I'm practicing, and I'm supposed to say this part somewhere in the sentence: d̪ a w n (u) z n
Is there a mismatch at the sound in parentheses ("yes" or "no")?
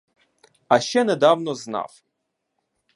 yes